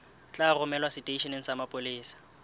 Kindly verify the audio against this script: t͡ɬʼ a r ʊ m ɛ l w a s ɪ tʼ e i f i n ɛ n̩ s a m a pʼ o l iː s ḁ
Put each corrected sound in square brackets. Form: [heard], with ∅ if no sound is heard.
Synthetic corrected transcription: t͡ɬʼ a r ʊ m ɛ l w a s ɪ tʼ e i [ʃ] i n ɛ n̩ s a m a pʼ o l iː s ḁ